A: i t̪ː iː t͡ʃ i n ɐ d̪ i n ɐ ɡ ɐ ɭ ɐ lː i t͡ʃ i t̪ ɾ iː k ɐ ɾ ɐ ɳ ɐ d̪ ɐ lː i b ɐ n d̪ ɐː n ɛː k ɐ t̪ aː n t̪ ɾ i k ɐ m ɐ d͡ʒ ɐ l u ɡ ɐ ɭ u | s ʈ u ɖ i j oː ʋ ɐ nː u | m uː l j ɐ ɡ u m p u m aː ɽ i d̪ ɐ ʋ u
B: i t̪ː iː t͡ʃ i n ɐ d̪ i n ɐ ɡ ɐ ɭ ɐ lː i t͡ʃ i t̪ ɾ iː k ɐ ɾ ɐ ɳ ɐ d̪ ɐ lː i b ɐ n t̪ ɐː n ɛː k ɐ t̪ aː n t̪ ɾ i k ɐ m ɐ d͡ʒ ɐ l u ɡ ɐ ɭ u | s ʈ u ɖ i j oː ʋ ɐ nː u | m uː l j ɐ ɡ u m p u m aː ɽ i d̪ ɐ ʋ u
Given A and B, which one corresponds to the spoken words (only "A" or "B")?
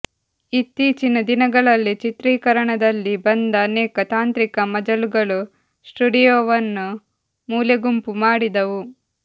A